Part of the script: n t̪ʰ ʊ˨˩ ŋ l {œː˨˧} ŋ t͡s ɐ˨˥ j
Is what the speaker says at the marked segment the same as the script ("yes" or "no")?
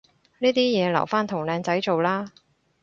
no